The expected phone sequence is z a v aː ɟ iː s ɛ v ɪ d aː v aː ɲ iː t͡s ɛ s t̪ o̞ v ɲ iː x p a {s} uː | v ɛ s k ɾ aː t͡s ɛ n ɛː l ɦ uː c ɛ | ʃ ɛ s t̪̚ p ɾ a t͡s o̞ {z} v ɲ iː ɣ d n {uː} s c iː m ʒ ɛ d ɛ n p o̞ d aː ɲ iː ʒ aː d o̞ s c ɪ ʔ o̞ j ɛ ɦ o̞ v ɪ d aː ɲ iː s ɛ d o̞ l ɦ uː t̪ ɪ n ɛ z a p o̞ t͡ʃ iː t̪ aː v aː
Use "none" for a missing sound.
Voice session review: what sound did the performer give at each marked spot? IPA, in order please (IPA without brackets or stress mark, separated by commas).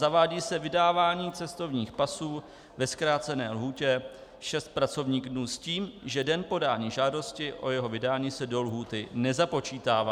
s, none, uː